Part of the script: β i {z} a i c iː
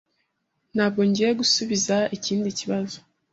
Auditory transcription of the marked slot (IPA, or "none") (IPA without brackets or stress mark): z